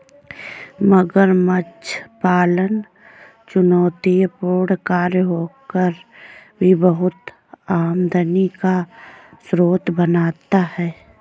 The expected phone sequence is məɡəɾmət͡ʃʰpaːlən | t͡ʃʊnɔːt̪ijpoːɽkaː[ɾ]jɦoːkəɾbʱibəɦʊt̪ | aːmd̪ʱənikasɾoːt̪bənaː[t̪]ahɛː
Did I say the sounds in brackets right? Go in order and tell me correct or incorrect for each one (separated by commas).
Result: correct, correct